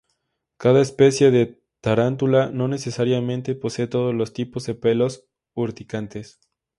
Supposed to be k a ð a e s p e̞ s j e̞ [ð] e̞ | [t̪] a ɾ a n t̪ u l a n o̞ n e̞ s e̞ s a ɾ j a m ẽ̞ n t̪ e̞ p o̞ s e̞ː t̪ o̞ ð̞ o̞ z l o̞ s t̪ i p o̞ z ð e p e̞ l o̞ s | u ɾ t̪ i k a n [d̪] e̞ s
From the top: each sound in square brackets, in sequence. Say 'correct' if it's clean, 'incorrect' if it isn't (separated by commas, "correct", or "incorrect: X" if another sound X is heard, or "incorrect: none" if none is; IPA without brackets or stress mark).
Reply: correct, correct, incorrect: t̪